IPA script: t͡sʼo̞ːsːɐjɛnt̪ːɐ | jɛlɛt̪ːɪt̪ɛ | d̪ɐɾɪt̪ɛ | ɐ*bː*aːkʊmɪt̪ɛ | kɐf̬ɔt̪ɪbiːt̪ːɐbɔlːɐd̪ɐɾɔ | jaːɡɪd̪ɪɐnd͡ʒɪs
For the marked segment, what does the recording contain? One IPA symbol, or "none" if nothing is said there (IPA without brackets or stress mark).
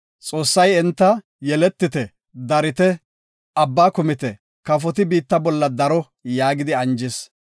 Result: bː